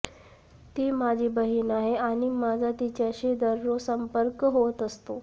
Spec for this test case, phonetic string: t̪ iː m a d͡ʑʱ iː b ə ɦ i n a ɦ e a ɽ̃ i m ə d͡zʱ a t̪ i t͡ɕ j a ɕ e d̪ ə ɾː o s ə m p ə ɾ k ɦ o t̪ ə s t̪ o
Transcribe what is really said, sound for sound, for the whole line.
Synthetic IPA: t̪ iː m a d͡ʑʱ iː b ə ɦ i n a ɦ e a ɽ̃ i m a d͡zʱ a t̪ i t͡ɕ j a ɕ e d̪ ə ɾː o s ə m p ə ɾ k ɦ o t̪ ə s t̪ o